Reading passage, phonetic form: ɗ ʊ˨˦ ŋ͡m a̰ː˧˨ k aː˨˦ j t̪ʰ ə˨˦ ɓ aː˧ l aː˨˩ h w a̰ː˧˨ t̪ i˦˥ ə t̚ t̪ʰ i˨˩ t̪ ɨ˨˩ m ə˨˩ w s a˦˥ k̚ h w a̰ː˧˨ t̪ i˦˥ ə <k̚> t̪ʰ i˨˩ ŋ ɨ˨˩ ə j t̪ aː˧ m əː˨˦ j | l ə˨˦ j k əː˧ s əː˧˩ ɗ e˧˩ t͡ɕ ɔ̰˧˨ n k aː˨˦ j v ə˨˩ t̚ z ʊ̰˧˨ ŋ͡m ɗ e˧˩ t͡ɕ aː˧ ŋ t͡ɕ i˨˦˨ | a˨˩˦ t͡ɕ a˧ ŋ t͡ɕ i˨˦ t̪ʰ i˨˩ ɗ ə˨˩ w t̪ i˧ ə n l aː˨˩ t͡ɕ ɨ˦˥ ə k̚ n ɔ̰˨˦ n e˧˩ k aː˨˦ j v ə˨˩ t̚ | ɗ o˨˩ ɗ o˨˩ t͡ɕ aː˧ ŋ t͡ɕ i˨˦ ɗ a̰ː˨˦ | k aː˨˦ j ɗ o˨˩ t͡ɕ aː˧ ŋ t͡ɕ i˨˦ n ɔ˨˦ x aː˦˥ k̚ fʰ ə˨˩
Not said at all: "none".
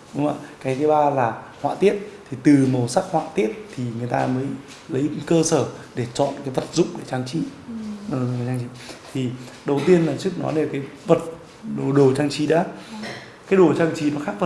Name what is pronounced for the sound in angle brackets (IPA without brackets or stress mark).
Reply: t̚